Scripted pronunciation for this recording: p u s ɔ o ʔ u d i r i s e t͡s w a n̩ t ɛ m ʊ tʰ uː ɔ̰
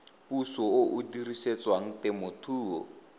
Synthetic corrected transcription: p u s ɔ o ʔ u d i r i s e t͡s w a ŋ̩ t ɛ m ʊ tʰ uː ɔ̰